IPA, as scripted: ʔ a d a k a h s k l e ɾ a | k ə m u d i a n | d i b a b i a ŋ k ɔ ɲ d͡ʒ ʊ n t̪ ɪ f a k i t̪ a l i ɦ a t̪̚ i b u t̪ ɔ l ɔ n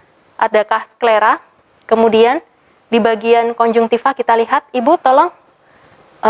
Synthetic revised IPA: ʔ a d a k a h s k l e ɾ a | k ə m u d i a n | d i b a ɡ i a n k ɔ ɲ d͡ʒ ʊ ŋ t̪ i f a k i t̪ a l i ɦ a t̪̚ i b u t̪ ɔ l ɔ ŋ